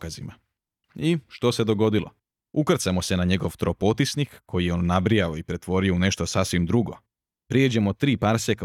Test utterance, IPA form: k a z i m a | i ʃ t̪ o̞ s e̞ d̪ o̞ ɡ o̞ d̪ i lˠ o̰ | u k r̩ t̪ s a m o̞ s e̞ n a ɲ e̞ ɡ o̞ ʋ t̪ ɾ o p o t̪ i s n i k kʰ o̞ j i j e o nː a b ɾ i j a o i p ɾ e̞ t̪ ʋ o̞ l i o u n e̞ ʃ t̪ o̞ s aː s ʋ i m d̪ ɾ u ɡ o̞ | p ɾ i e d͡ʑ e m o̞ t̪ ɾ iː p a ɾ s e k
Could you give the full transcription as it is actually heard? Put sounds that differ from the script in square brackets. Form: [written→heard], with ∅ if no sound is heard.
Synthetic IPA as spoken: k a z i m a | i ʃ t̪ o̞ s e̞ d̪ o̞ ɡ o̞ d̪ i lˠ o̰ | u k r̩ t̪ s a m o̞ s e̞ n a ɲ e̞ ɡ o̞ ʋ t̪ ɾ o p o t̪ i s n i k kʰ o̞ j i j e o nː a b ɾ i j a o i p ɾ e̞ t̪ ʋ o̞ [l→ɾ] i o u n e̞ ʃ t̪ o̞ s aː s ʋ i m d̪ ɾ u ɡ o̞ | p ɾ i e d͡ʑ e m o̞ t̪ ɾ iː p a ɾ s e k